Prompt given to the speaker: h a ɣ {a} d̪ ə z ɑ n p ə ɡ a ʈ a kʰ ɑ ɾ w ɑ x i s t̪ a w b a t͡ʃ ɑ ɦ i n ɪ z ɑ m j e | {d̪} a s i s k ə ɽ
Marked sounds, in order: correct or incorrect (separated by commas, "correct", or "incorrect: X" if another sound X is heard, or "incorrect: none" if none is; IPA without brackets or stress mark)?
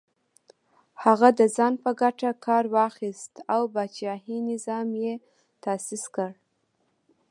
correct, incorrect: t̪